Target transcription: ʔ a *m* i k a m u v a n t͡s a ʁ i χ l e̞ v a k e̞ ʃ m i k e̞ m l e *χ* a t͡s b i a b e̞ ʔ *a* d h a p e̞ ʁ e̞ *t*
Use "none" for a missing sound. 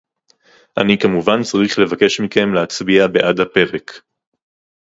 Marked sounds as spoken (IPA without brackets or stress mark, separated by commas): n, none, a, k